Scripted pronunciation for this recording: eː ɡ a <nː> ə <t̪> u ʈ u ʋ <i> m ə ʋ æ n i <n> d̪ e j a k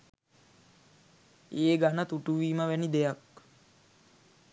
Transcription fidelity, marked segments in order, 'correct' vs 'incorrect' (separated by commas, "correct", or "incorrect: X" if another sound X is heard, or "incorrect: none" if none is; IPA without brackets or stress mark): incorrect: n, correct, incorrect: iː, incorrect: none